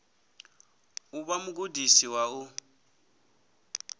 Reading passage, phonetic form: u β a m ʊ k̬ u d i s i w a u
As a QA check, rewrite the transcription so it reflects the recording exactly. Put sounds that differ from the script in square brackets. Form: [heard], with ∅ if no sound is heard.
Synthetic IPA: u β a m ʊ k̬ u d i s i w a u